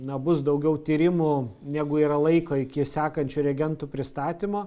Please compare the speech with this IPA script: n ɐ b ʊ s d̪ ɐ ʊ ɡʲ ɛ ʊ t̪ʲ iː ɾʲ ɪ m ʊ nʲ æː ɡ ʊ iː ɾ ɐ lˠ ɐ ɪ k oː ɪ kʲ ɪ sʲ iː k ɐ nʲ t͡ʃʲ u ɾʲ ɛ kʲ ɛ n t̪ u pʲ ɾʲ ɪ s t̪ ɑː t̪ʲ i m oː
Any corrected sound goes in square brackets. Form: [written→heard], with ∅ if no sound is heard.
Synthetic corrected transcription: n ɐ b ʊ s d̪ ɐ ʊ ɡʲ ɛ ʊ t̪ʲ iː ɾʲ ɪ m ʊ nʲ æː ɡ ʊ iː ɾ ɐ lˠ ɐ ɪ k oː ɪ kʲ ɪ sʲ [iː→æː] k ɐ nʲ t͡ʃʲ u ɾʲ ɛ [kʲ→ɡʲ] ɛ n t̪ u pʲ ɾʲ ɪ s t̪ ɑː t̪ʲ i m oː